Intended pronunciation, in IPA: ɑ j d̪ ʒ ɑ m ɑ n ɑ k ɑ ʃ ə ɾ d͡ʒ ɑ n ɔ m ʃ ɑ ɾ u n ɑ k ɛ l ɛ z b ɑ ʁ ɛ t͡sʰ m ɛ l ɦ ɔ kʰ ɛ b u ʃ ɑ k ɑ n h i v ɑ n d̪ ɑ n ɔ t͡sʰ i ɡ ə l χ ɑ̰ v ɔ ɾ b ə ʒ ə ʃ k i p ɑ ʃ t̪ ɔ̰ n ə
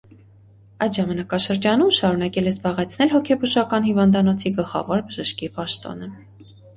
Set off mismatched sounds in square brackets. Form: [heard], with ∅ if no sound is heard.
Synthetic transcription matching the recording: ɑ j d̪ ʒ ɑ m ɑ n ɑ k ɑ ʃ ə ɾ d͡ʒ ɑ n [u] m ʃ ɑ ɾ u n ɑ k ɛ l ɛ z b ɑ ʁ ɛ t͡sʰ [n] ɛ l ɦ ɔ kʰ ɛ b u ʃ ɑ k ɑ n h i v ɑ n d̪ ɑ n ɔ t͡sʰ i ɡ ə l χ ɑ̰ v ɔ ɾ b ə ʒ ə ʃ k i p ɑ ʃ t̪ ɔ̰ n ə